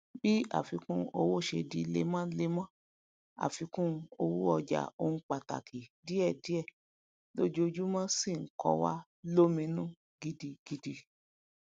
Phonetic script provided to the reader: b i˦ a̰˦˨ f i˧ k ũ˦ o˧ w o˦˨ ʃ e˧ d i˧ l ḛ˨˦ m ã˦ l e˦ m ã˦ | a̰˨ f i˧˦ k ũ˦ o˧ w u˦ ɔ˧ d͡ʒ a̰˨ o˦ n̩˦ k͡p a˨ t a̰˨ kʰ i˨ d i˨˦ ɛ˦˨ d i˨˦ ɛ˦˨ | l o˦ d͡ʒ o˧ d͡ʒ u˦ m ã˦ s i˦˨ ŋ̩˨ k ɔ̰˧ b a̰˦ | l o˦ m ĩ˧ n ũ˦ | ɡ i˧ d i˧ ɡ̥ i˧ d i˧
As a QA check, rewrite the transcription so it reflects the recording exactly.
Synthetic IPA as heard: b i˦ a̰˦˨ f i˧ k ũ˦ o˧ w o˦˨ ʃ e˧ d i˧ l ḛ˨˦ m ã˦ l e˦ m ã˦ | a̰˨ f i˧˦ k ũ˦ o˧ w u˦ ɔ˧ d͡ʒ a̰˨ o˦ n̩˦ k͡p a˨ t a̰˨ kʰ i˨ d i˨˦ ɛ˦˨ d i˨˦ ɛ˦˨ | l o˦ d͡ʒ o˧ d͡ʒ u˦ m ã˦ s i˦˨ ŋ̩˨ k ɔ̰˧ w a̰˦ | l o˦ m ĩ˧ n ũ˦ | ɡ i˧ d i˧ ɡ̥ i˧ d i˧